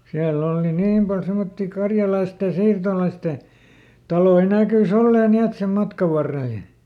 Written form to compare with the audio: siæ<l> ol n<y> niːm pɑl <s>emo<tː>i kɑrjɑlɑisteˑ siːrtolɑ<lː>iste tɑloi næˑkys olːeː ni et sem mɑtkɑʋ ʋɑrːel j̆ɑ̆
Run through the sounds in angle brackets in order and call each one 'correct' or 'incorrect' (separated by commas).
incorrect, incorrect, correct, correct, incorrect